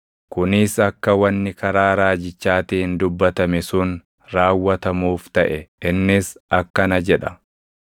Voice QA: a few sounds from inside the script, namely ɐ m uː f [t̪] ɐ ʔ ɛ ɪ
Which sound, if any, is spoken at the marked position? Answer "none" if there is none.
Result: t̪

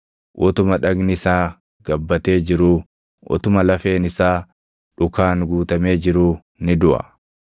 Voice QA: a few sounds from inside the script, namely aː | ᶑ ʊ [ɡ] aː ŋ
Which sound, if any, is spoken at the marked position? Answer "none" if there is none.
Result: k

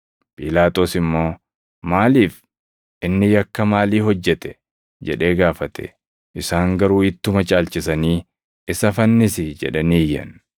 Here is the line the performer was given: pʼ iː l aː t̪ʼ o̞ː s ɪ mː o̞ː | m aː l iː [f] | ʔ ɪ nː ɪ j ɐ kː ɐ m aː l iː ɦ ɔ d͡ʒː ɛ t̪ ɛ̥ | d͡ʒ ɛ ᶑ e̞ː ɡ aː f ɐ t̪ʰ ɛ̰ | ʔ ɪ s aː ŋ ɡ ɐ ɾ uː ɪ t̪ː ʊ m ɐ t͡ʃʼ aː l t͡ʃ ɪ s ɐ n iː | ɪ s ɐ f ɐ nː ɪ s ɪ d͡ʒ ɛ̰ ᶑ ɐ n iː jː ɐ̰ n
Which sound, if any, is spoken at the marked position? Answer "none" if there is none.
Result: f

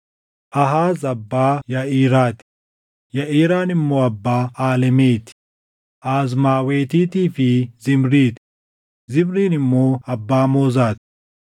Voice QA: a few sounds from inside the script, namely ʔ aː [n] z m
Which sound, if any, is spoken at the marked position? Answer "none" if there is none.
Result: none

